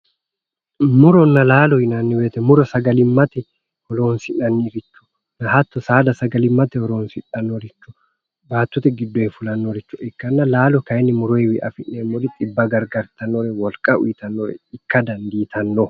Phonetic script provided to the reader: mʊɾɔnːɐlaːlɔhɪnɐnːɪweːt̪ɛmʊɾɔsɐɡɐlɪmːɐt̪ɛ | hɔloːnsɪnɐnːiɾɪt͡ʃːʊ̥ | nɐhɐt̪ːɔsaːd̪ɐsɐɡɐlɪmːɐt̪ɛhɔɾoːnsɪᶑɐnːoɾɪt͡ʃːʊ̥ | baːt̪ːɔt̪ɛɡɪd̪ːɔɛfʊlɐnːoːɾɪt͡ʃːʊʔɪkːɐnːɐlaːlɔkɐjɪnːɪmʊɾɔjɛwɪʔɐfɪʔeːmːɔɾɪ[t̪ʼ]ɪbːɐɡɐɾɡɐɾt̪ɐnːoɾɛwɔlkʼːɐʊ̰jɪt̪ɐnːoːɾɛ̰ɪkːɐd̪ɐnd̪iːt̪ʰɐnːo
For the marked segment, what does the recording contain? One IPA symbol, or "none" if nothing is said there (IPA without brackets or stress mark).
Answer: t̪ʼ